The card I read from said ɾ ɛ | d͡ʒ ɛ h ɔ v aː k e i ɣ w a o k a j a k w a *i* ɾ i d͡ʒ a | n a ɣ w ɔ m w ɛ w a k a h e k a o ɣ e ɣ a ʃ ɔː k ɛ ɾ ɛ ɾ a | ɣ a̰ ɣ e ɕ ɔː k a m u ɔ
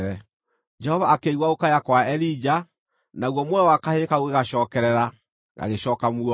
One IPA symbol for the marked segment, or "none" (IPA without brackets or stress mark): ɛ